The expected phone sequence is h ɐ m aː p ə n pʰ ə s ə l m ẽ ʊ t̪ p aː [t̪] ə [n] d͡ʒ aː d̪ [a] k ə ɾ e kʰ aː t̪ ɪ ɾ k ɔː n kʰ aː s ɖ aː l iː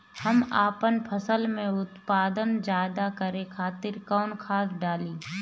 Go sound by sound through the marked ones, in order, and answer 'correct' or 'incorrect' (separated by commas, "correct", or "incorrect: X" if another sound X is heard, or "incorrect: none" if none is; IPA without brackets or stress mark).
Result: incorrect: d̪, correct, correct